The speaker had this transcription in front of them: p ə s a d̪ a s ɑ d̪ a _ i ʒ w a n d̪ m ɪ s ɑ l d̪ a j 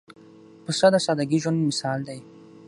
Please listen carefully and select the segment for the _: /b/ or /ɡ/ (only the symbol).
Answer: ɡ